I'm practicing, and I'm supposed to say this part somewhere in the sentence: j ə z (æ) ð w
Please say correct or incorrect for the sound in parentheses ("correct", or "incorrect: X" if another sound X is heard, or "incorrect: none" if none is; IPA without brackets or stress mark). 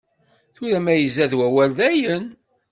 correct